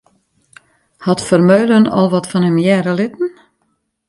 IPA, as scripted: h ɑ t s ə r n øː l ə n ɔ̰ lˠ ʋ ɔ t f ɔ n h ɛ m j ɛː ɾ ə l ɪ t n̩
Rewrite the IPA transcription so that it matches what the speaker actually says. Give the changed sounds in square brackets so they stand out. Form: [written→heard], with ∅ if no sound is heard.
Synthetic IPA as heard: h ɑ t [s→f] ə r [n→m] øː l ə n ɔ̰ lˠ ʋ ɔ t f ɔ n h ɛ m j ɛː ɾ ə l ɪ t n̩